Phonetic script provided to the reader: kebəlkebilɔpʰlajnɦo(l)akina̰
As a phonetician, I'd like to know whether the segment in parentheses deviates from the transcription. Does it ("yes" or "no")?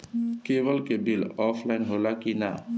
no